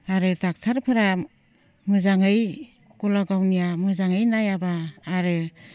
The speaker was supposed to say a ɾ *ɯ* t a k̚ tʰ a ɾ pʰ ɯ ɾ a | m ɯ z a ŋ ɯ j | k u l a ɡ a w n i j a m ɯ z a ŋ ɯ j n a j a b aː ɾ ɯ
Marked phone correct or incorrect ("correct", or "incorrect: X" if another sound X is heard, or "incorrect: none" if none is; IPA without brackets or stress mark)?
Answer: correct